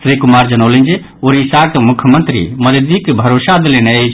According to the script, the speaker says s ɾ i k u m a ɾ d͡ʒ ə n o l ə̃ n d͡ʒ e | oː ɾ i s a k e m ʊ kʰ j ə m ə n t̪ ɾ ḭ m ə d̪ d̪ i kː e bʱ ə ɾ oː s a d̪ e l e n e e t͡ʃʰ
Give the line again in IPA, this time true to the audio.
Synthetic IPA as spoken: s ɾ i k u m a ɾ d͡ʒ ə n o l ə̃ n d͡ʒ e | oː ɾ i s a k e m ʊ kʰ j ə m ə n t̪ ɾ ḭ m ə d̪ d̪ i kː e bʱ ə ɾ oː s a d̪ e l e n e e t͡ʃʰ